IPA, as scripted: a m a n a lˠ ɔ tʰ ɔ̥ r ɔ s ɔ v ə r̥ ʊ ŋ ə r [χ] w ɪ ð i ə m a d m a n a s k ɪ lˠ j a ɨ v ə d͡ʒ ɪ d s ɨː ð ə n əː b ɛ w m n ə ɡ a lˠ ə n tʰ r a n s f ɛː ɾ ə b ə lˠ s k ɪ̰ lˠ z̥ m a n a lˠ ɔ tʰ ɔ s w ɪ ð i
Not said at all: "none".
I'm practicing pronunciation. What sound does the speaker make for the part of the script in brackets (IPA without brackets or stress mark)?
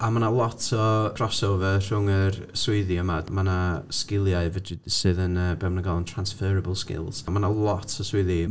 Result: s